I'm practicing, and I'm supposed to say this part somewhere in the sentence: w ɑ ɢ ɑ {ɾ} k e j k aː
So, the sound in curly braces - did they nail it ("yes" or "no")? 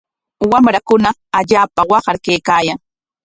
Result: yes